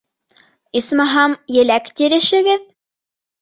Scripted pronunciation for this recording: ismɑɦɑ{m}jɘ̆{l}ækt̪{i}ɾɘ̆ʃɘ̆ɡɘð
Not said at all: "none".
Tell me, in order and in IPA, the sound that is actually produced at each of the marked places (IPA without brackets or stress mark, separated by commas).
m, l, i